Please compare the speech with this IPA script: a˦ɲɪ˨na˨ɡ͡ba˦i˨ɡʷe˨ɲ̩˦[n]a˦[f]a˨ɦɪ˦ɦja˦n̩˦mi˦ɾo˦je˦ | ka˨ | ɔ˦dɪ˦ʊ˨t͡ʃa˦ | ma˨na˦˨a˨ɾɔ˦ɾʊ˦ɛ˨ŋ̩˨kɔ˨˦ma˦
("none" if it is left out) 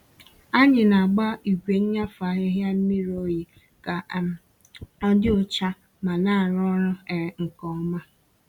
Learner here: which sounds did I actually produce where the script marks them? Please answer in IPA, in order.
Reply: ɲ, f

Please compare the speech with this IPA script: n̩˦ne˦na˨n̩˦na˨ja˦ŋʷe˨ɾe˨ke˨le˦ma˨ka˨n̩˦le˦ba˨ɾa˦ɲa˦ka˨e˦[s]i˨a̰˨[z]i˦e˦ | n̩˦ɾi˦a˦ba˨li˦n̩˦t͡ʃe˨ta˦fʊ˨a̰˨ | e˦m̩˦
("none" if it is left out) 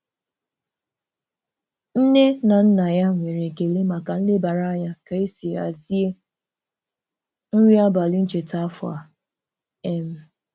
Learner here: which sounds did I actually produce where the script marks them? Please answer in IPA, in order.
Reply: s, z

